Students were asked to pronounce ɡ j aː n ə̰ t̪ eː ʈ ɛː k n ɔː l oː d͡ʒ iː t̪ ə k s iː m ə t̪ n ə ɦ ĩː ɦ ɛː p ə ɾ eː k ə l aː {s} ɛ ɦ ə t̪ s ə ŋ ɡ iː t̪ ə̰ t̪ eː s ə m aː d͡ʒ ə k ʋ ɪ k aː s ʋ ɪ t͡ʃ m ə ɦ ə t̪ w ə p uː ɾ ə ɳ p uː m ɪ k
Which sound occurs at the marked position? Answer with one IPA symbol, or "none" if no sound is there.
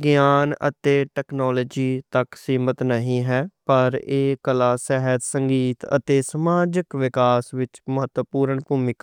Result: s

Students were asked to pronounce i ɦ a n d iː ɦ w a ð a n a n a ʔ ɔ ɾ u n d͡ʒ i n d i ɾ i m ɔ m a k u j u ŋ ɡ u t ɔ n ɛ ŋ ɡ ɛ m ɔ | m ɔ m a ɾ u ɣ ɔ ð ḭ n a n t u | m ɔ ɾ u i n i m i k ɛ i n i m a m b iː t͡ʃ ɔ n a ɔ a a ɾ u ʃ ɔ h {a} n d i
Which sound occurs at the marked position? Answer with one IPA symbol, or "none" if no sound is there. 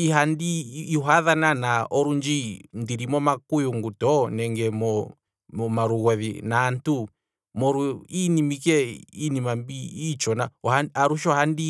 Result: a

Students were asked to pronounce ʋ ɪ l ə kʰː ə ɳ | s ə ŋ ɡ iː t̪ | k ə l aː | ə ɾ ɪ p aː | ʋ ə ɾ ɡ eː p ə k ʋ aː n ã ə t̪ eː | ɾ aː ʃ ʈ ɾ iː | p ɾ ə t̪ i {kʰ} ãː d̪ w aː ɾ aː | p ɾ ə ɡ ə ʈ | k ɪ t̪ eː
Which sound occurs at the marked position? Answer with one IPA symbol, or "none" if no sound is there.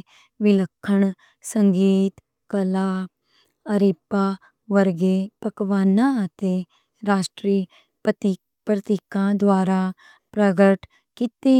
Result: k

